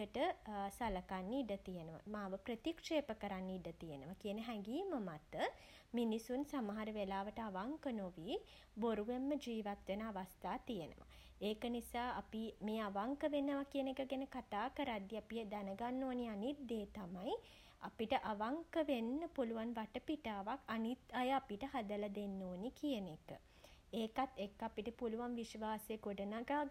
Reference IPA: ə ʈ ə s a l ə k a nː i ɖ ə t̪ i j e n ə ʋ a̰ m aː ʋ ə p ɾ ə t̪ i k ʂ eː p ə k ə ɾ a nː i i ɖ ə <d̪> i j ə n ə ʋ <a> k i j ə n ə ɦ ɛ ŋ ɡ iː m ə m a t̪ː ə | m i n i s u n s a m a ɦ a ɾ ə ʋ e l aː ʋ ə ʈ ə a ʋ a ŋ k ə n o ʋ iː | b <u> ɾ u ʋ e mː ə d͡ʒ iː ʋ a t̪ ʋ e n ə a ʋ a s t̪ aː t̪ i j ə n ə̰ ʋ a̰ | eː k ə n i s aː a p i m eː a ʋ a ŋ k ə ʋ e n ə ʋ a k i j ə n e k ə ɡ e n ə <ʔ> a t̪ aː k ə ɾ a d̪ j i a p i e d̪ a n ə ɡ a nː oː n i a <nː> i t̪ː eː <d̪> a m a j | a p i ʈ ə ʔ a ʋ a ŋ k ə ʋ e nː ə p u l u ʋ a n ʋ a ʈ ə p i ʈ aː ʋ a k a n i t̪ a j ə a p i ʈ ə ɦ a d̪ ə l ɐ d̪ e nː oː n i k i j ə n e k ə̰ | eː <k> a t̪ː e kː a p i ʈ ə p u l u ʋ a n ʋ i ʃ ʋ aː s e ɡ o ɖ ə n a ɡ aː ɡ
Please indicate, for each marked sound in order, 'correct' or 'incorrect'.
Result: incorrect, correct, incorrect, incorrect, incorrect, incorrect, correct

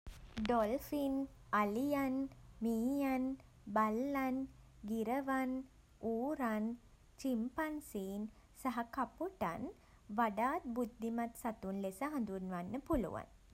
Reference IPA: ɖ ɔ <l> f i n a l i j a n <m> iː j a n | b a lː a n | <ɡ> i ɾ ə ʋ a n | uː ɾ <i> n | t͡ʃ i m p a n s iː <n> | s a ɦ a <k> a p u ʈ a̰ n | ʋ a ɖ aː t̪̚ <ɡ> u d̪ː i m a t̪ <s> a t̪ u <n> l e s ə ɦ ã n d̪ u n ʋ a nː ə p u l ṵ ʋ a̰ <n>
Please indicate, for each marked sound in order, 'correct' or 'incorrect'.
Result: correct, correct, correct, incorrect, correct, correct, incorrect, correct, correct, correct

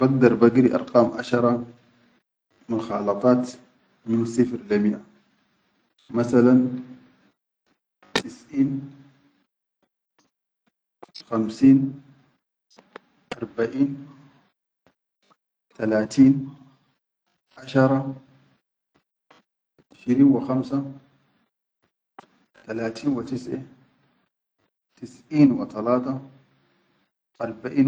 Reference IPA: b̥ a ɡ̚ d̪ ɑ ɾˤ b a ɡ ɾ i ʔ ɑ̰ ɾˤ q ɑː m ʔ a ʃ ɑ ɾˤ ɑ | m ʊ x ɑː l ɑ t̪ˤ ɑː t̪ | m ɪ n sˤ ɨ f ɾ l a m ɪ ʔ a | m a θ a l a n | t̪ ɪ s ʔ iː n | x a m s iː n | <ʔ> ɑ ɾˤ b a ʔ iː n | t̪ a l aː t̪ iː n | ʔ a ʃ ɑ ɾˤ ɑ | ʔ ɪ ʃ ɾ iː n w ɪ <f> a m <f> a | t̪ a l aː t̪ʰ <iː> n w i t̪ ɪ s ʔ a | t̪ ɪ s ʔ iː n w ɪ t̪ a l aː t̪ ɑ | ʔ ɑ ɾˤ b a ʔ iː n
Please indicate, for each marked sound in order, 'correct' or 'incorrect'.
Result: correct, incorrect, incorrect, correct

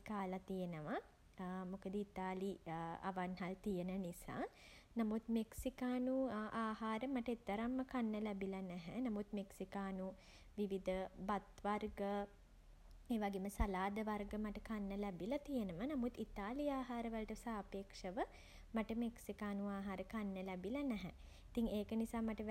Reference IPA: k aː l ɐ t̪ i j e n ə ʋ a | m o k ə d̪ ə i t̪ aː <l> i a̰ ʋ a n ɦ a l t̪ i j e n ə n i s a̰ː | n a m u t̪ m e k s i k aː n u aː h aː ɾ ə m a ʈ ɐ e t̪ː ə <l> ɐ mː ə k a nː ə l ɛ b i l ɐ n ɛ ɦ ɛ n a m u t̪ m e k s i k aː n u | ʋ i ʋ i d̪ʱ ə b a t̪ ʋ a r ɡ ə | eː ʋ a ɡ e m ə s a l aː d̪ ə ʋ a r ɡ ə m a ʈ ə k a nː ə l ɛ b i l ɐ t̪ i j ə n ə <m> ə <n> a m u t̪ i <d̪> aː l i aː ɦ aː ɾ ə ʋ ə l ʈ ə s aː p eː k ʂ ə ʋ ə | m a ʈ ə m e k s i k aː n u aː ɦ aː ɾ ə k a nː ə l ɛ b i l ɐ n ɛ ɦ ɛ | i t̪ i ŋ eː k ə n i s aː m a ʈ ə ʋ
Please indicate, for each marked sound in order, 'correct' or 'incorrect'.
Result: correct, incorrect, correct, correct, incorrect

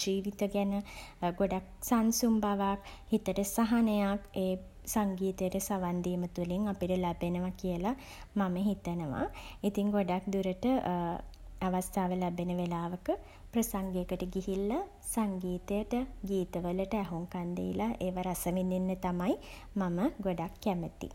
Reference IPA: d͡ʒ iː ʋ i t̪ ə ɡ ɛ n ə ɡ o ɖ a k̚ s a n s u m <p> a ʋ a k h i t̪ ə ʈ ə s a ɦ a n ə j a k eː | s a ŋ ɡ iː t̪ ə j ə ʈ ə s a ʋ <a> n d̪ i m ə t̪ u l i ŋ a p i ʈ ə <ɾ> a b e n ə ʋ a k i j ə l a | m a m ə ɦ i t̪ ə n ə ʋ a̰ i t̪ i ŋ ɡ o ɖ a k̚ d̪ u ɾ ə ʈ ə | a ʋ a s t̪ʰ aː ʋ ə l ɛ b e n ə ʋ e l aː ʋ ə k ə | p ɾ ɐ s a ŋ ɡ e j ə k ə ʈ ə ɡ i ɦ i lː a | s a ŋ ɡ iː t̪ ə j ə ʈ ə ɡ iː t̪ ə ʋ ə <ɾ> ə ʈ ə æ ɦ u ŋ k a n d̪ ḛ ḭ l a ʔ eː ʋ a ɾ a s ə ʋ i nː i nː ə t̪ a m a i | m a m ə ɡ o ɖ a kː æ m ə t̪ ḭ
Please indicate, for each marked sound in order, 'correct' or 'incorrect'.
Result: incorrect, correct, incorrect, incorrect

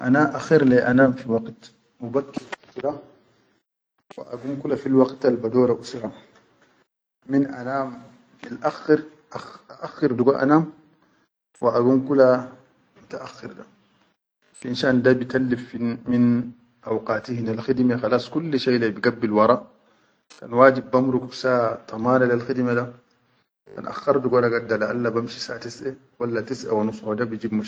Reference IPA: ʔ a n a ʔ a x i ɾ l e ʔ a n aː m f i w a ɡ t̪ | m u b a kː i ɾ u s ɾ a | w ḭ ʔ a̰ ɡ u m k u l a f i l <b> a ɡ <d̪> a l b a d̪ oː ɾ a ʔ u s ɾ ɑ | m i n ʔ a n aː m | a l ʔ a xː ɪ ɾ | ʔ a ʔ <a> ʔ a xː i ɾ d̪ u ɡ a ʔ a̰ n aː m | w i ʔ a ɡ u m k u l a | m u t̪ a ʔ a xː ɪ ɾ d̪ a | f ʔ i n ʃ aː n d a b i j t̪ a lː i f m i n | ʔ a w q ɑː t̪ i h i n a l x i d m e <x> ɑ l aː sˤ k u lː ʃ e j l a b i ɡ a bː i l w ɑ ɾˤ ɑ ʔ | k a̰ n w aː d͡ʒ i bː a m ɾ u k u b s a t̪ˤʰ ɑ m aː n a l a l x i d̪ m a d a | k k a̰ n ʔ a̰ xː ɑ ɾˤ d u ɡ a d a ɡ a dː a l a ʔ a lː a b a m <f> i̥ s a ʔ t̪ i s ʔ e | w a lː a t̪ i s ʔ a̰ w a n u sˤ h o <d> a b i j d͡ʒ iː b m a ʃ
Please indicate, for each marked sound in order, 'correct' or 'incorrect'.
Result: incorrect, incorrect, correct, correct, incorrect, correct

